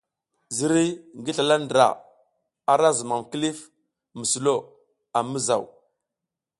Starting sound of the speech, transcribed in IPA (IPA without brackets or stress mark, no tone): z